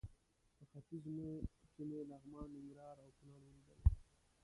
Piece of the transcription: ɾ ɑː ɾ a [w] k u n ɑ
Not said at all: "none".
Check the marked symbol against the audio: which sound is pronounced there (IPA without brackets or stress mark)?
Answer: w